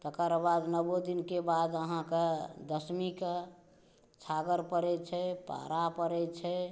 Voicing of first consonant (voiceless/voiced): voiceless